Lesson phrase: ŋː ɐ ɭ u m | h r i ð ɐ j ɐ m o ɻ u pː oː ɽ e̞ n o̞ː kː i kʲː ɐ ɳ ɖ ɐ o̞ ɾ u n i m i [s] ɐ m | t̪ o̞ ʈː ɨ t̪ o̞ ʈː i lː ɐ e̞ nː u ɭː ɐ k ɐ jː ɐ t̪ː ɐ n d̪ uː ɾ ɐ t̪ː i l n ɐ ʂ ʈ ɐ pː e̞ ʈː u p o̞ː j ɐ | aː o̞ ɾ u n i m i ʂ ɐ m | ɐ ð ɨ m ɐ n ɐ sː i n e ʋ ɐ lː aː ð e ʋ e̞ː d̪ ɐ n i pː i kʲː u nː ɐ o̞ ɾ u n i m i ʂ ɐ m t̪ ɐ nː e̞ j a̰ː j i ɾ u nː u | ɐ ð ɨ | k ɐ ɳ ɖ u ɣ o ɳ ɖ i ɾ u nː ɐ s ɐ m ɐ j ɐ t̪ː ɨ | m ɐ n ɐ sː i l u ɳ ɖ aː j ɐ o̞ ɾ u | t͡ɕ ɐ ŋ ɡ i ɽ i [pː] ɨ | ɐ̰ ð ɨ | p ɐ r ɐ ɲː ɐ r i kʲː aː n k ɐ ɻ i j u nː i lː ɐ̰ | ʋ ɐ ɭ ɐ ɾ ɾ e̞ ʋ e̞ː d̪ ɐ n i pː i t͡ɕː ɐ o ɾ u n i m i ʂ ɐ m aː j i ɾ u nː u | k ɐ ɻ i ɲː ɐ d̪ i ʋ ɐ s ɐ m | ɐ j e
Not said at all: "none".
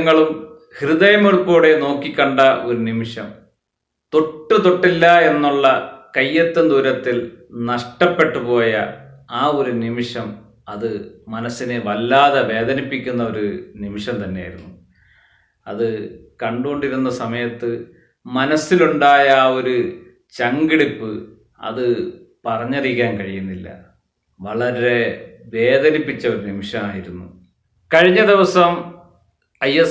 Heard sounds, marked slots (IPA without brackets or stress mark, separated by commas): ʂ, pː